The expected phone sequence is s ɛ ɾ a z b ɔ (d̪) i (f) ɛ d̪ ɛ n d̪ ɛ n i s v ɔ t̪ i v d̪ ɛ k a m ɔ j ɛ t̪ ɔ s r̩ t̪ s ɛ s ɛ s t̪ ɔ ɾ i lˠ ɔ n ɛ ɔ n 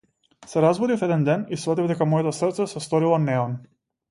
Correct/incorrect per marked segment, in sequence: correct, correct

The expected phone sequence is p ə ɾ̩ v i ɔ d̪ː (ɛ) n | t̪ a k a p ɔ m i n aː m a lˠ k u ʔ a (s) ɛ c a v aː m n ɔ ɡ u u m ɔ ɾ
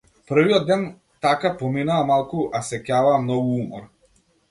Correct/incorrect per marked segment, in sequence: correct, correct

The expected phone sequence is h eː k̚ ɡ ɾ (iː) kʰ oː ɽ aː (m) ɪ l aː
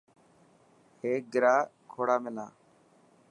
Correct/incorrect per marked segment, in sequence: incorrect, correct

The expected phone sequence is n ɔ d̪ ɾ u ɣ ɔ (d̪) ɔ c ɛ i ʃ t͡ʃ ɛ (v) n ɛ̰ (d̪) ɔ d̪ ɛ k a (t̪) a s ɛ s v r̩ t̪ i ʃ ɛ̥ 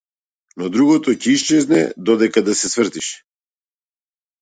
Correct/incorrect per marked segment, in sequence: incorrect, incorrect, correct, incorrect

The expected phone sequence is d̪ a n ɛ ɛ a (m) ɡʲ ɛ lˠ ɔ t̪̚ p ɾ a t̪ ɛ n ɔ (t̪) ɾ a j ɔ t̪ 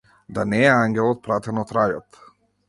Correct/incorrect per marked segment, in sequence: incorrect, correct

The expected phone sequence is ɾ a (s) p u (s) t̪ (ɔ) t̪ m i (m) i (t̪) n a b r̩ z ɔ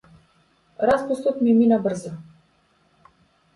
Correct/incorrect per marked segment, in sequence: correct, correct, correct, correct, incorrect

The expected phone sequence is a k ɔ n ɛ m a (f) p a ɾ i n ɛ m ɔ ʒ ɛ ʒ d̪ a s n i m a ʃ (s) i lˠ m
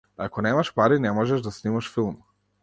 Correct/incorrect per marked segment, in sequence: incorrect, incorrect

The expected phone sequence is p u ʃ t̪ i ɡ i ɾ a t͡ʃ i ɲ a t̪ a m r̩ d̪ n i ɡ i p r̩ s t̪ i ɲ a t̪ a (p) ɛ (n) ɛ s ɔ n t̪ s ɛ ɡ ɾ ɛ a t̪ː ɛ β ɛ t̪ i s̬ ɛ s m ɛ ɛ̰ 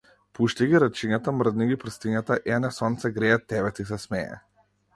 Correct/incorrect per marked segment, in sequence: incorrect, correct

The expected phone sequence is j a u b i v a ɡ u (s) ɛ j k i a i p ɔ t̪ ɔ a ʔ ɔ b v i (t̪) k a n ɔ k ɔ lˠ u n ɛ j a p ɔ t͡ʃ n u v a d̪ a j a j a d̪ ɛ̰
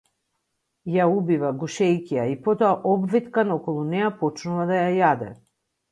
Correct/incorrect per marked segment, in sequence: incorrect, correct

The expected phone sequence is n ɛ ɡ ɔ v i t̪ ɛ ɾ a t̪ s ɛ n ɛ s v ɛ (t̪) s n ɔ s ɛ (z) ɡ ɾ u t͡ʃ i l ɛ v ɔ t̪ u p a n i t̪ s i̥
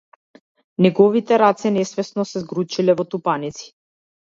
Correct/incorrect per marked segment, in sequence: incorrect, correct

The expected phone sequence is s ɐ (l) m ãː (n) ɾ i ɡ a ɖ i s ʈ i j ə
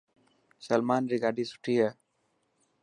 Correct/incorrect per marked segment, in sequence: correct, correct

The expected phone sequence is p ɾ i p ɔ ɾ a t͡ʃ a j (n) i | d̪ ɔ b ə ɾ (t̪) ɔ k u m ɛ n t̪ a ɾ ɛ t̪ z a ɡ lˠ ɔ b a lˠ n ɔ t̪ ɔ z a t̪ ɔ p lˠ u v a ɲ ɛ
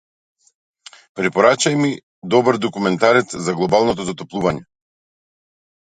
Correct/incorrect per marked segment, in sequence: incorrect, incorrect

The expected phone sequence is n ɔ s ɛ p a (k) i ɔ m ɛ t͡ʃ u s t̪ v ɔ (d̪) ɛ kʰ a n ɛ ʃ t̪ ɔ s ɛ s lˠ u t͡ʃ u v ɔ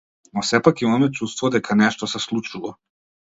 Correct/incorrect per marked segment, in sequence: correct, correct

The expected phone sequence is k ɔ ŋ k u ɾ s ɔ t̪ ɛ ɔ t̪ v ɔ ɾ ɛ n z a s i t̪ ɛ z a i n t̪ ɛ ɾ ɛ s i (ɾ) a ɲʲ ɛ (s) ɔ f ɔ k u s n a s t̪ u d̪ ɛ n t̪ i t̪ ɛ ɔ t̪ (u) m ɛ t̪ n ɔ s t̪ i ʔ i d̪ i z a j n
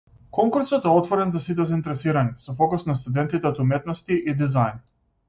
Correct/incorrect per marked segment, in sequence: correct, correct, correct

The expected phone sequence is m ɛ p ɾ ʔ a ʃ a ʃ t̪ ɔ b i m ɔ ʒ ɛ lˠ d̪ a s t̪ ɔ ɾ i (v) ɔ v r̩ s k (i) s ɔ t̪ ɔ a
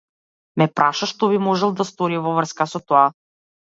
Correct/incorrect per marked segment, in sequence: correct, incorrect

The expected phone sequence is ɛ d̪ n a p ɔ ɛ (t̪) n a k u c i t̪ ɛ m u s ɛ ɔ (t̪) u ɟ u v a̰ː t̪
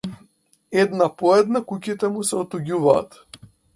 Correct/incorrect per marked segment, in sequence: incorrect, correct

